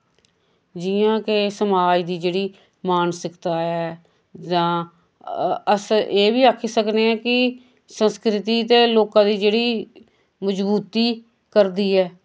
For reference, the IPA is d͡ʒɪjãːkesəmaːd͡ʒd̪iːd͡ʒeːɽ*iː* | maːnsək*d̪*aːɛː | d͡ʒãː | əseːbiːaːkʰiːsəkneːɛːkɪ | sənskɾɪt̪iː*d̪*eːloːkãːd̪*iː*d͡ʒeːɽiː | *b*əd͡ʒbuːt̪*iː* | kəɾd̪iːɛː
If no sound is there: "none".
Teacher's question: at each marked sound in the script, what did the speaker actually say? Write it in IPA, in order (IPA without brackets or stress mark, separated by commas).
iː, t̪, t̪, iː, m, iː